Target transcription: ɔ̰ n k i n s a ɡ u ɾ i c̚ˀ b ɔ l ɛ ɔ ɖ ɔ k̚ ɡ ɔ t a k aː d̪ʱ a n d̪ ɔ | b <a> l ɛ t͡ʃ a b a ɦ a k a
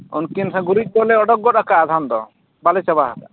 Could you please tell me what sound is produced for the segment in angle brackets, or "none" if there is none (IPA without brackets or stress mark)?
a